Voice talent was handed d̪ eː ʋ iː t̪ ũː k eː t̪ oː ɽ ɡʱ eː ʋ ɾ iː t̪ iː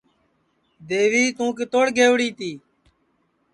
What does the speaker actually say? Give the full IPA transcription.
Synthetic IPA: d̪ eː ʋ iː t̪ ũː k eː t̪ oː ɽ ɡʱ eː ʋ ɽ iː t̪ iː

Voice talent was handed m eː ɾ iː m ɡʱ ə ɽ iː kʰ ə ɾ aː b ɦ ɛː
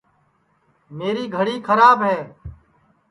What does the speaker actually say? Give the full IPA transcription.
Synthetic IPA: m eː ɾ iː ɡʱ ə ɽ iː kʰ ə ɾ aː b ɦ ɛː

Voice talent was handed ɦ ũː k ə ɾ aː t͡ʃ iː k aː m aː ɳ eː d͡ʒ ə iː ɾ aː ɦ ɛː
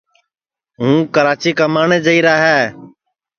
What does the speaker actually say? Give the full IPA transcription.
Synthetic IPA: ɦ ũː k ə ɾ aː t͡ʃ iː k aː m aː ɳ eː d͡ʒ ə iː ɾ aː ɦ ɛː

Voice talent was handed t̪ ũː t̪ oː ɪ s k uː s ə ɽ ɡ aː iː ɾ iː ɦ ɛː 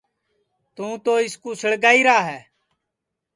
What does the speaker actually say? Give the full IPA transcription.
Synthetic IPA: t̪ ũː t̪ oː ɪ s k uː s ə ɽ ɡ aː iː ɾ aː ɦ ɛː

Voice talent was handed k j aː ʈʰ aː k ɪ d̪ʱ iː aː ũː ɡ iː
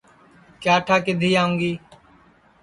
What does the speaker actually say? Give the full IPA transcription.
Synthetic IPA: k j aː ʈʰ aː k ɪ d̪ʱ iː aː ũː ɡ iː

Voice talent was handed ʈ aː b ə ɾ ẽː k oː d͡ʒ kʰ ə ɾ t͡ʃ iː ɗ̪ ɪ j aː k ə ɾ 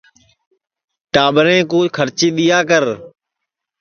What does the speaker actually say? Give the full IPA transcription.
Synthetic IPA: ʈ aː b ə ɾ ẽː k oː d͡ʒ kʰ ə ɾ t͡ʃ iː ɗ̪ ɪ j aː k ə ɾ

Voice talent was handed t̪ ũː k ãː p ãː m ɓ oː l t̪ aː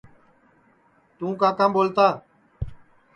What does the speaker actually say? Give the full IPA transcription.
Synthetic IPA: t̪ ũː k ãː k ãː m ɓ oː l t̪ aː

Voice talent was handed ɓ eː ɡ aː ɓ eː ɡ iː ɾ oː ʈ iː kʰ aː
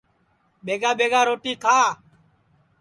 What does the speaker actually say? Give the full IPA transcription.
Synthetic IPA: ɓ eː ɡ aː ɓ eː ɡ aː ɾ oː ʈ iː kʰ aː

